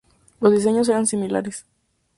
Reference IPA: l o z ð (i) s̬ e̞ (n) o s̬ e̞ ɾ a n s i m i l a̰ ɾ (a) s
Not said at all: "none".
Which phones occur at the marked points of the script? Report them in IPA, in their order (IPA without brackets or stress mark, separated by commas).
i, ɲ, e